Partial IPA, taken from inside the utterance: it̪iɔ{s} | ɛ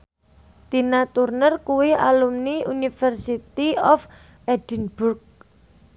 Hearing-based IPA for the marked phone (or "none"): f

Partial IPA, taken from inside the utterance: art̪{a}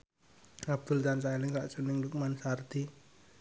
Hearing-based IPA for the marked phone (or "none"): i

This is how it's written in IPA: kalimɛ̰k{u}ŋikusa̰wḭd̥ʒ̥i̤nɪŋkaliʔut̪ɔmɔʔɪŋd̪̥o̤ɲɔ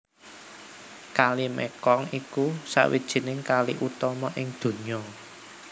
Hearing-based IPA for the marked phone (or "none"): ɔ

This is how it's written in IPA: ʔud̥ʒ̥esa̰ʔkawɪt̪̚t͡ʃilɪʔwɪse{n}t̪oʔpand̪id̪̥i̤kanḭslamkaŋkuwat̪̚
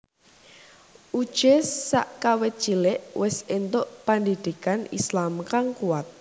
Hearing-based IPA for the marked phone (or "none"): n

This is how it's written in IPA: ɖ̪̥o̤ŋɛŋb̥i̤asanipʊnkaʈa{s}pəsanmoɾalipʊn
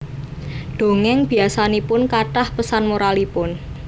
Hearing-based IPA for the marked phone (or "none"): h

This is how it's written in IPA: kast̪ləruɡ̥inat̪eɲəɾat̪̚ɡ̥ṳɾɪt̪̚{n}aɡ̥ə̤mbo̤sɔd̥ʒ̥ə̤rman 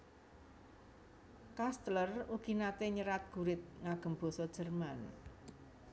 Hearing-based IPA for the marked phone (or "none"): ŋ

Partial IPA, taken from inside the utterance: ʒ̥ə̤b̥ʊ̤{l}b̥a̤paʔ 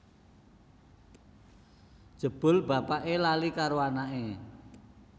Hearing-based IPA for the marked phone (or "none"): l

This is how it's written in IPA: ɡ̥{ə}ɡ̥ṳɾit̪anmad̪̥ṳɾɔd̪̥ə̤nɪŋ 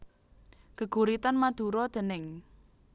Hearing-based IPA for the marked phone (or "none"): ə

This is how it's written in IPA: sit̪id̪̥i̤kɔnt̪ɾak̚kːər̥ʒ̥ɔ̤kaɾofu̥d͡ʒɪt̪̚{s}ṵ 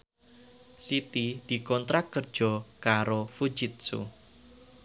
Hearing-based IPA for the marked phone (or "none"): s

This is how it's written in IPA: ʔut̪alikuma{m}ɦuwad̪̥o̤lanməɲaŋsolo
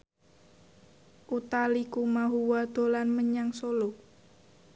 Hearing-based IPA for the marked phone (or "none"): none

